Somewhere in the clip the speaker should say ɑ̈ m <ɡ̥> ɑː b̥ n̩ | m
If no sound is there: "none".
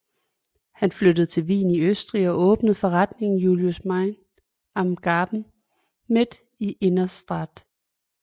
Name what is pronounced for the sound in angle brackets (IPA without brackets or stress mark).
ɡ̥